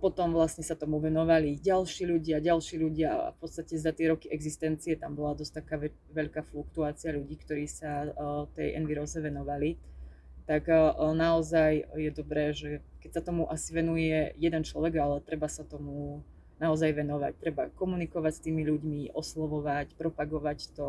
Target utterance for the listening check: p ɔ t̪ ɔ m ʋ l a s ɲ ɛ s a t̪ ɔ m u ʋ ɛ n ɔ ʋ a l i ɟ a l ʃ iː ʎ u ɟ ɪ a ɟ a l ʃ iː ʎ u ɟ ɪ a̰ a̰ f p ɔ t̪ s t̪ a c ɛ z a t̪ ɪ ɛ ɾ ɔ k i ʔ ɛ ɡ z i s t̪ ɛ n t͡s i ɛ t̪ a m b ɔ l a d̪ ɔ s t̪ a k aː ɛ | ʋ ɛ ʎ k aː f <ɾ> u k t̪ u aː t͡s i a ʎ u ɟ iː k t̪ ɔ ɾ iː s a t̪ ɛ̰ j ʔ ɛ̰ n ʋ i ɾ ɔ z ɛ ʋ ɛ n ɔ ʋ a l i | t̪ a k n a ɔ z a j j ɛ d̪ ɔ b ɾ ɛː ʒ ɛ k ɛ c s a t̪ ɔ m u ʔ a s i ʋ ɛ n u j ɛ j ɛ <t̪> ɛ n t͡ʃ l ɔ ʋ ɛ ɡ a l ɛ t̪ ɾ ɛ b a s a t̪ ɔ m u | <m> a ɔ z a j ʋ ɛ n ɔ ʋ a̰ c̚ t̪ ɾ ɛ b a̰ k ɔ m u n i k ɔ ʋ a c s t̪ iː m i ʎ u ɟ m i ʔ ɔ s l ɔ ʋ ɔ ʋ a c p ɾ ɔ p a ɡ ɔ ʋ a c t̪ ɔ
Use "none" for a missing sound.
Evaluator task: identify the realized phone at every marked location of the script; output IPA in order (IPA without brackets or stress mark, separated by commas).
l, d̪, n